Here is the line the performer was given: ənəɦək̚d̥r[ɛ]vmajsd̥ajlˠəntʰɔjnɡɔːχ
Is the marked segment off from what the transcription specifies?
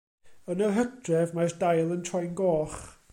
no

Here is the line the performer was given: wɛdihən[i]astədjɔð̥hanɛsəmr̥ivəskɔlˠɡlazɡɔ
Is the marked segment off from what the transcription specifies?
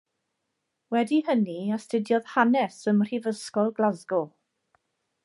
no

